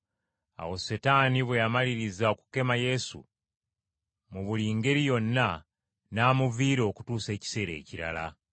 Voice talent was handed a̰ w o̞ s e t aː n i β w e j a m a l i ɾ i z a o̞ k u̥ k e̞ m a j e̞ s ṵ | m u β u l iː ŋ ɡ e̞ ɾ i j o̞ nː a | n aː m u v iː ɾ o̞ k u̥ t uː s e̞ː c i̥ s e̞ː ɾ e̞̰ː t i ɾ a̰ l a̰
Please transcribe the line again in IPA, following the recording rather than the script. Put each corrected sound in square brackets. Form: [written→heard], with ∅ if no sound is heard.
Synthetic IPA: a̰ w o̞ s e t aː n i β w e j a m a l i ɾ i z a o̞ k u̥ k e̞ m a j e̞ s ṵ | m u β u l iː ŋ ɡ e̞ ɾ i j o̞ nː a | n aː m u v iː ɾ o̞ k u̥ t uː s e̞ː c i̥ s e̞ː ɾ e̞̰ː [t→c] i ɾ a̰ l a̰